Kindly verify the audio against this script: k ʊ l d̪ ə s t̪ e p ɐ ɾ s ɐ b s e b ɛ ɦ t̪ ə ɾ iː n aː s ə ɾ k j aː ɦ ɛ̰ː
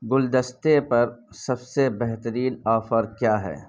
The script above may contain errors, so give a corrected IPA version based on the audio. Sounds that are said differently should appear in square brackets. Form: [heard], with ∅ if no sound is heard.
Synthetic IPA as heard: [ɡ] ʊ l d̪ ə s t̪ e p ɐ ɾ s ɐ b s e b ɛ ɦ t̪ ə ɾ iː n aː [f] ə ɾ k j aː ɦ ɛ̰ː